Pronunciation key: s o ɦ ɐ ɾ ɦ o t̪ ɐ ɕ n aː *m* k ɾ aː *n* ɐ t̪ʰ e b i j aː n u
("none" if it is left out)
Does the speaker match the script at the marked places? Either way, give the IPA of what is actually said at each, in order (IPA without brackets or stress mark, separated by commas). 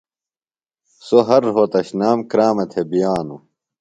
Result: m, m